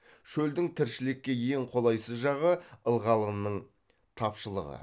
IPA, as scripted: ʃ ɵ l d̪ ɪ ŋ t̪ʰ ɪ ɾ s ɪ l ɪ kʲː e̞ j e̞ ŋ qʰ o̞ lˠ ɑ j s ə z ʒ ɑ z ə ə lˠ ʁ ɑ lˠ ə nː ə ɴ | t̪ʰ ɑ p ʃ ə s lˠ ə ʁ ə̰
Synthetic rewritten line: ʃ ɵ l d̪ ɪ ŋ t̪ʰ ɪ ɾ ʃ ɪ l ɪ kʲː e̞ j e̞ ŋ qʰ o̞ lˠ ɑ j s ə z ʒ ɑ ʁ ə ə lˠ ʁ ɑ lˠ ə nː ə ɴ | t̪ʰ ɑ p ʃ ə lˠ ə ʁ ə̰